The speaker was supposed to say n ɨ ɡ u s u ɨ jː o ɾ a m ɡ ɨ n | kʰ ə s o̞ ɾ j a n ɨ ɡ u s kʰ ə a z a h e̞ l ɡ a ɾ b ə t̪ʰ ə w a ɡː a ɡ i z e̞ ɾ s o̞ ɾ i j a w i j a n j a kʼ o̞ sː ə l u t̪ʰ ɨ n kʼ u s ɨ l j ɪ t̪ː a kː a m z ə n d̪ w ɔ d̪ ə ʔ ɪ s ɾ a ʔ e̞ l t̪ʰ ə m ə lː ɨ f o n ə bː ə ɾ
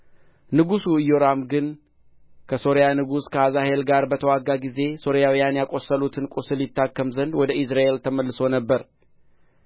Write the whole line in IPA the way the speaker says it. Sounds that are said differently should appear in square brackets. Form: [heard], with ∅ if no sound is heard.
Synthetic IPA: n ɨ ɡ u s u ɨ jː o ɾ a m ɡ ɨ n | kʰ ə s o̞ ɾ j a n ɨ ɡ u s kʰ ə a z a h e̞ l ɡ a ɾ b ə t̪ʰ ə w a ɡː a ɡ i z e̞ [∅] s o̞ ɾ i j a w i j a n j a kʼ o̞ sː ə l u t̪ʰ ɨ n kʼ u s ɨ l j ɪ t̪ː a kː [ə] m z ə n d̪ w ɔ d̪ ə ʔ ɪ s ɾ a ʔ e̞ l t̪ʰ ə m ə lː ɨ [s] o n ə bː ə ɾ